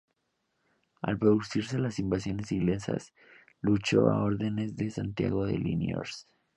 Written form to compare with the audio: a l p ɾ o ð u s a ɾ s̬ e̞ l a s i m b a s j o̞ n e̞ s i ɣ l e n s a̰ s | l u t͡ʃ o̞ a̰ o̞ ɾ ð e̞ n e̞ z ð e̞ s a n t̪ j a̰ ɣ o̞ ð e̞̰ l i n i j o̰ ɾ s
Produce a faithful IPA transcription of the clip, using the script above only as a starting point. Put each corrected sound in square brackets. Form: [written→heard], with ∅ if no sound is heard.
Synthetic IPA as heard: a l p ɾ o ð u s [a→i] ɾ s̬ e̞ l a s i m b a s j o̞ n e̞ s i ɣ l e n s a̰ s | l u t͡ʃ o̞ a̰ o̞ ɾ ð e̞ n e̞ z ð e̞ s a n t̪ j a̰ ɣ o̞ ð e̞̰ l i n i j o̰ ɾ s